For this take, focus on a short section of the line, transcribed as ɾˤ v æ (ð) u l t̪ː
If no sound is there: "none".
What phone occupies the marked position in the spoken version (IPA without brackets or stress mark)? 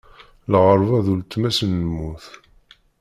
ð